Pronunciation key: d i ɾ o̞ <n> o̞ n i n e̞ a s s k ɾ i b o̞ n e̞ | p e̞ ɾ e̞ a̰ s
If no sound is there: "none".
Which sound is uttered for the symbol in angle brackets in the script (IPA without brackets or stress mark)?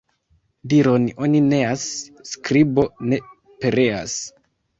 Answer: n